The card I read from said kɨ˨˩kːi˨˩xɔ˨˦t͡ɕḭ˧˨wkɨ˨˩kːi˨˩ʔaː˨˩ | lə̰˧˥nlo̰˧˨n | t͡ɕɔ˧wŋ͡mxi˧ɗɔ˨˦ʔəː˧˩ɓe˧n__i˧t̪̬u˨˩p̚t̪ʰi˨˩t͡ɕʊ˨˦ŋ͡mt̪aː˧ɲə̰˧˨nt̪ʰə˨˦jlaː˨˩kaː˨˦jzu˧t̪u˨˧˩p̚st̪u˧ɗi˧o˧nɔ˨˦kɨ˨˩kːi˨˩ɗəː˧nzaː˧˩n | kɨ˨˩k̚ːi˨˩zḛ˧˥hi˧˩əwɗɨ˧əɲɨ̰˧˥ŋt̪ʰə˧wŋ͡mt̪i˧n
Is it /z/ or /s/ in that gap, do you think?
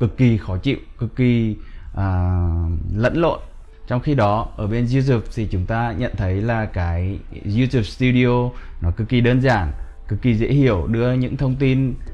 z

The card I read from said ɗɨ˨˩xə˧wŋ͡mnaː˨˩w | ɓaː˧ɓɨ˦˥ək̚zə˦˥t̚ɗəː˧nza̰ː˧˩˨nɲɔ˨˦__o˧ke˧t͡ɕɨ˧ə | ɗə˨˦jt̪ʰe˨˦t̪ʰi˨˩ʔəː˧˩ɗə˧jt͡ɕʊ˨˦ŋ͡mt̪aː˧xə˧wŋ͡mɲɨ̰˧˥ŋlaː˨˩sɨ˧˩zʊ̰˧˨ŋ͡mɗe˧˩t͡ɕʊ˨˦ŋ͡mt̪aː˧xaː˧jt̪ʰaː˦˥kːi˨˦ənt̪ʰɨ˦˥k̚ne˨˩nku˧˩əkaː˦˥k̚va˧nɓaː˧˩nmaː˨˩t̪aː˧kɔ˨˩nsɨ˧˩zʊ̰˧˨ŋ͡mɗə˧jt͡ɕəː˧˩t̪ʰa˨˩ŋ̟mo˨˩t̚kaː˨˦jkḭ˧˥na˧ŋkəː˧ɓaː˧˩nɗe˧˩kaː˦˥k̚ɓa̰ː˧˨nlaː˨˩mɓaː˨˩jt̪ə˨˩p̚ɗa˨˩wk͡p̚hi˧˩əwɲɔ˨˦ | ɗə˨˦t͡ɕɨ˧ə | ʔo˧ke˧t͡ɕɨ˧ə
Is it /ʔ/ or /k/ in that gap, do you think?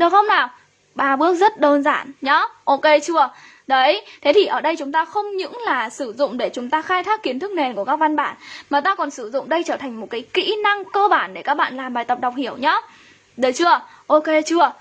ʔ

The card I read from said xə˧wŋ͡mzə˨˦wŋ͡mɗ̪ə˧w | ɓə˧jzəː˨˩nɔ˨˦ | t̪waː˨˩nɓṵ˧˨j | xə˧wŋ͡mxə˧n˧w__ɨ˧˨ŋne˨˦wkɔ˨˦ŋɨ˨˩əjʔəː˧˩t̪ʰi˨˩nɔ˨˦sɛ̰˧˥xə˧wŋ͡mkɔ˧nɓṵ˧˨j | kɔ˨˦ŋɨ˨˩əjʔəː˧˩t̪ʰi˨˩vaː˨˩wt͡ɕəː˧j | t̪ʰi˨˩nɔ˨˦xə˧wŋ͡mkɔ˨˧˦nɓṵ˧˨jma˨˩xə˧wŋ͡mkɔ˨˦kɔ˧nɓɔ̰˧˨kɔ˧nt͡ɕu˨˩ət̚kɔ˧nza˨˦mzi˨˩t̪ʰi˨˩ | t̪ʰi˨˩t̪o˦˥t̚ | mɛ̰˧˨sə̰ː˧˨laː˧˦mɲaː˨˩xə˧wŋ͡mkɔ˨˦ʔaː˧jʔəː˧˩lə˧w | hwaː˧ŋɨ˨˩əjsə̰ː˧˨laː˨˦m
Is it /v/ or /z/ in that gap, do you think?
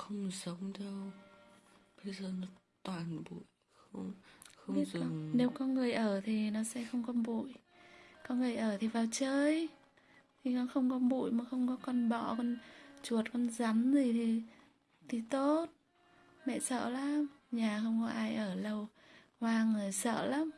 z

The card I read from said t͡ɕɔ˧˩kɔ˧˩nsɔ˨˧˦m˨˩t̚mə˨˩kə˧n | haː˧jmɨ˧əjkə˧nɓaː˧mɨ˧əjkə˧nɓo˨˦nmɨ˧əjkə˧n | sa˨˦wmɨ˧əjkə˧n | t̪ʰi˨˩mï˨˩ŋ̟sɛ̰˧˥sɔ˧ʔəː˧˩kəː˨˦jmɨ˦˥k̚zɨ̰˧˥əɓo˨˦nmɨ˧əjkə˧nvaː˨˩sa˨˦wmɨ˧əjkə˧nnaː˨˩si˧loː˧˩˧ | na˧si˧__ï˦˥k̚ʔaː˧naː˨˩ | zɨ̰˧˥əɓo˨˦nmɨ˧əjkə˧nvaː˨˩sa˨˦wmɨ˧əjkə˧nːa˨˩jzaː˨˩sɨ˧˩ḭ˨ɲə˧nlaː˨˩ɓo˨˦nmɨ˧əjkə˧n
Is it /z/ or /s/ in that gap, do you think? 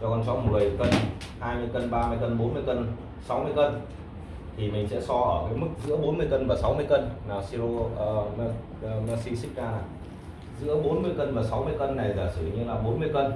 s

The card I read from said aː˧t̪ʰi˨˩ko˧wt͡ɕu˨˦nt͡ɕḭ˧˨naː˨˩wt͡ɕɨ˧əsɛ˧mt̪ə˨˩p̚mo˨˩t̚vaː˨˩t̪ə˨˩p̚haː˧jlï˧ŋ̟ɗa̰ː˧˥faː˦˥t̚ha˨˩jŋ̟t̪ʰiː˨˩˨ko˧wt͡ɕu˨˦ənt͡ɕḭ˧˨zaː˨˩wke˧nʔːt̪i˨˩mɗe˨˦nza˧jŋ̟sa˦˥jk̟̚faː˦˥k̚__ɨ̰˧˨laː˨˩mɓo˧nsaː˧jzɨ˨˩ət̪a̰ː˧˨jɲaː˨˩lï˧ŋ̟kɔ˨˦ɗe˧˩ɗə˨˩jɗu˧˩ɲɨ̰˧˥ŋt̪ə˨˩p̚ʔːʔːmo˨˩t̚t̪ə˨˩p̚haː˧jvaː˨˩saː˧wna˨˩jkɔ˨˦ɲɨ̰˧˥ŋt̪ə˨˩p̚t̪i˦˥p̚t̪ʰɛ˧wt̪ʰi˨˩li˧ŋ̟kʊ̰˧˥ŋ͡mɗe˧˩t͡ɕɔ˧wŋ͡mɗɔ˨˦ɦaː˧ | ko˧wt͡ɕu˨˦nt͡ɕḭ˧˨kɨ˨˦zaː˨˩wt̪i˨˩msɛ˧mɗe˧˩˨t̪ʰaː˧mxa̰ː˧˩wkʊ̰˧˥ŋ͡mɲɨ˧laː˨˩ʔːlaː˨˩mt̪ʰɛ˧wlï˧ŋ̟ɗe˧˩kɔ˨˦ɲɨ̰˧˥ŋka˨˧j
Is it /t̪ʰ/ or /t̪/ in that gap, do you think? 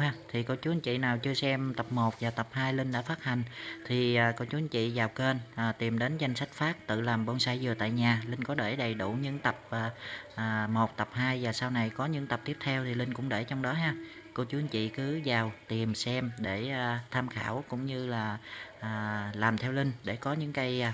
t̪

